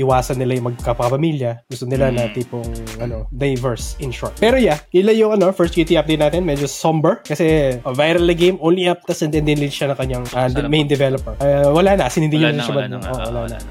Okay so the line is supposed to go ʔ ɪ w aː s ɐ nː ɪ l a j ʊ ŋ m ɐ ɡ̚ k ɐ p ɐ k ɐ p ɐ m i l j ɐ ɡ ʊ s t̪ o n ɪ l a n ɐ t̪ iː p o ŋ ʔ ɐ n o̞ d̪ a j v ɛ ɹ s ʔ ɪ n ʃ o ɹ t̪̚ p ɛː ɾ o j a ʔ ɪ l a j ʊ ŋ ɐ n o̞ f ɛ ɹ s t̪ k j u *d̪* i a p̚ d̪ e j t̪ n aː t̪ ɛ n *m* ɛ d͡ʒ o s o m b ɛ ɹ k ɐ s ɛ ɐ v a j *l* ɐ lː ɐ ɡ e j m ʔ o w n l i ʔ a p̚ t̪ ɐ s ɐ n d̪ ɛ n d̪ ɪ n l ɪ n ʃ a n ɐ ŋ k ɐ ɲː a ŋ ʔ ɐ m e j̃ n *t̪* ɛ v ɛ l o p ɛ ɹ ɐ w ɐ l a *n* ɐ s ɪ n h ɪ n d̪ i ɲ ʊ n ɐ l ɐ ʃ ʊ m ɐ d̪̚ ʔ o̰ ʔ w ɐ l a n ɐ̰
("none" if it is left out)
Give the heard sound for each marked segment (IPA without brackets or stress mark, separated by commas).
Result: t̪, m, ɾ, d̪, n